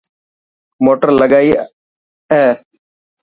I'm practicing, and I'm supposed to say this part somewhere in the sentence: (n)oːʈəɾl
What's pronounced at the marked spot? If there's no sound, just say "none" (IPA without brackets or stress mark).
m